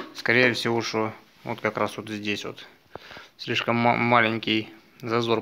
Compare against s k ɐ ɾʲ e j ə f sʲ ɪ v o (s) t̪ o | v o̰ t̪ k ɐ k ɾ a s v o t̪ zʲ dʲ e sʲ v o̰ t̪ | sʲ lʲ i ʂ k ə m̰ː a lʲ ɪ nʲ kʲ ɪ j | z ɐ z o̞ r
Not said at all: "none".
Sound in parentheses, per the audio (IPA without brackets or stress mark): ʂ